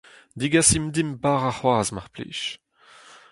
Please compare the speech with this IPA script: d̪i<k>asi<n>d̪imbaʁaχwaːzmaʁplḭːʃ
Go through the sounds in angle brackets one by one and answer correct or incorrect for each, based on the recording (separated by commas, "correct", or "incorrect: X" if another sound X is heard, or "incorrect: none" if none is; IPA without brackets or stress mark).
incorrect: ɡ, incorrect: m